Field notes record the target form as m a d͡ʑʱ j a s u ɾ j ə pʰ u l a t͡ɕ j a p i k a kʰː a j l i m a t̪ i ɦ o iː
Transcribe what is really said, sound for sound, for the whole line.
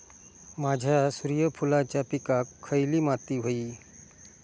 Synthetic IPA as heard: m a d͡ʑʱ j a s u ɾ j ə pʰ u l a t͡ɕ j a p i k a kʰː ə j l i m a t̪ i ɦ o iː

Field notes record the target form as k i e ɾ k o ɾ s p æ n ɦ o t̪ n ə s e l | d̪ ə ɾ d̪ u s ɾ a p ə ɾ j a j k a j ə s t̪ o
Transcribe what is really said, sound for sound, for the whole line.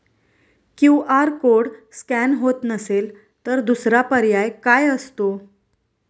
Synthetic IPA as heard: k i a ɾ k o ɽ s k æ n ɦ o t̪ n ə s e l | t̪ ə ɾ d̪ u s ɾ a p ə ɾ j a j k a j ə s t̪ o

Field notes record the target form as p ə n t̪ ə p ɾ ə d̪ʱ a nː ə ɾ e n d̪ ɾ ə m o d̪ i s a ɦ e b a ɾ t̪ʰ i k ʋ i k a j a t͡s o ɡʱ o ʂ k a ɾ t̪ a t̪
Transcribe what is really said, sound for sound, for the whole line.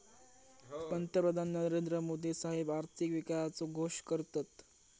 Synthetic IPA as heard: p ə n t̪ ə p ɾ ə d̪ʱ a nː ə ɾ e n d̪ ɾ ə m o d̪ i s a ɦ e b a ɾ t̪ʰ i k ʋ i k a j a t͡s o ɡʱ o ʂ k ə ɾ t̪ a t̪

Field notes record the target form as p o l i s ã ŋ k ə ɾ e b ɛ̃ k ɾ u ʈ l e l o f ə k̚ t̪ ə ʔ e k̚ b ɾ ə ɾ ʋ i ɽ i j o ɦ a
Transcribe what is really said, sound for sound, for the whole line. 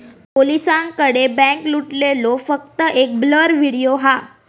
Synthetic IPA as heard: p o l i s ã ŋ k ə ɽ e b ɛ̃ k l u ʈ l e l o f ə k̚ t̪ ə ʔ e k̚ b l ə ɾ ʋ i ɽ i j o ɦ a

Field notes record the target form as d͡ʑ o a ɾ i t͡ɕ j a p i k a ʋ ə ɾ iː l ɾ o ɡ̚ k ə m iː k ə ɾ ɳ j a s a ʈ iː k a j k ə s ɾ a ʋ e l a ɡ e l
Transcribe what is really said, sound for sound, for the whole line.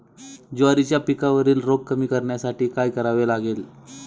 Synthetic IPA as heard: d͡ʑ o a ɾ i t͡ɕ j a p i k a ʋ ə ɾ iː l ɾ o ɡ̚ k ə m iː k ə ɾ ɳ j a s a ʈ iː k a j k ə ɾ a ʋ e l a ɡ e l

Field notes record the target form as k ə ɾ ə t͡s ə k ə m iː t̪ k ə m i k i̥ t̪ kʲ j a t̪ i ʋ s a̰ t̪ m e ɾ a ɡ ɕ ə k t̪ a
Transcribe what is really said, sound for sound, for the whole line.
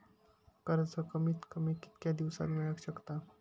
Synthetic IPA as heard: k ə ɾ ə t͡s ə k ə m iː t̪ k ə m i k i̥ t̪ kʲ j a d̪ i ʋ s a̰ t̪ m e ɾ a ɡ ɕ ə k t̪ a

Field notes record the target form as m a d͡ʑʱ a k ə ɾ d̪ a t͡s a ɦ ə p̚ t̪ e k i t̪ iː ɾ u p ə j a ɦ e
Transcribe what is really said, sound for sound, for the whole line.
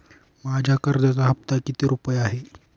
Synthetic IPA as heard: m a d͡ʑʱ a k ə ɾ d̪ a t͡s a ɦ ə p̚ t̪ a k i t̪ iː ɾ u p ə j a ɦ e

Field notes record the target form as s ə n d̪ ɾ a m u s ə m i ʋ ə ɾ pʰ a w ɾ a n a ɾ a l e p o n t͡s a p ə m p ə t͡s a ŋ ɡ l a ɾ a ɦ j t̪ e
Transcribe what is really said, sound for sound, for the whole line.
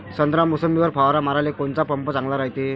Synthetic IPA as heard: s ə n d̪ ɾ a m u s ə m i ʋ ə ɾ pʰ a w ɾ a m a ɾ a l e k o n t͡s a p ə m p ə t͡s a ŋ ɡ l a ɾ a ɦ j t̪ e

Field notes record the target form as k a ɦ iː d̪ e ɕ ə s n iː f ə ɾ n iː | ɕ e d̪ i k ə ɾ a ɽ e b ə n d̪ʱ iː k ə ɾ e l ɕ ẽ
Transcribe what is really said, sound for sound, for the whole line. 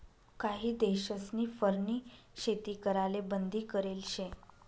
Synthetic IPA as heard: k a ɦ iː d̪ e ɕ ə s n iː f ə ɾ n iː | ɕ e t̪ i k ə ɾ a l e b ə n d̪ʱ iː k ə ɾ e l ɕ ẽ

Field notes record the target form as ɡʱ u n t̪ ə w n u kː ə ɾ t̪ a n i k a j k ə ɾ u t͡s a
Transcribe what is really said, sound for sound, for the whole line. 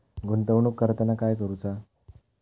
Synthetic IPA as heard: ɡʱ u n t̪ ə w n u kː ə ɾ t̪ ə n a k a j k ə ɾ u t͡s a

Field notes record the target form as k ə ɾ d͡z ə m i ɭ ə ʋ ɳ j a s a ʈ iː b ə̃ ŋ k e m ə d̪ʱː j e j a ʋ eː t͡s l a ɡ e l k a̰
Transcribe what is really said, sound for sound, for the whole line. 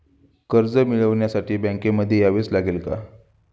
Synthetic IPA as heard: k ə ɾ d͡z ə m i ɭ ə ʋ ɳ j a s a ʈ iː b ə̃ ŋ k e m ə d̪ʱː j e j a ʋ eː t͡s l a ɡ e l k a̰

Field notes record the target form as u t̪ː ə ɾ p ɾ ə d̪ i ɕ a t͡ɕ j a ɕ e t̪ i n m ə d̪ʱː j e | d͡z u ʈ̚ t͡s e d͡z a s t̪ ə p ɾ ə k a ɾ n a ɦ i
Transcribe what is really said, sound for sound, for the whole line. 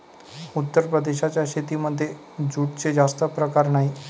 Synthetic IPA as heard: u t̪ː ə ɾ p ɾ ə d̪ e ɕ a t͡ɕ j a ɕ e t̪ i m ə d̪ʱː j e | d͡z u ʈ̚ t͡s e d͡z a s t̪ ə p ɾ ə k a ɾ n a ɦ i

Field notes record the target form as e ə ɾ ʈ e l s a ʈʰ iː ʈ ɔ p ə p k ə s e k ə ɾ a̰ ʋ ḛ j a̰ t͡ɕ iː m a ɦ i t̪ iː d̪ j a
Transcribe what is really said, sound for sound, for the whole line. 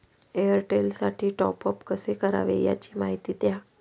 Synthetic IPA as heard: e ə ɾ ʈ e l s a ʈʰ iː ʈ ɔ p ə p k ə s e k ə ɾ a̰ ʋ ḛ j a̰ t͡ɕ iː m a ɦ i t̪ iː t̪ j a

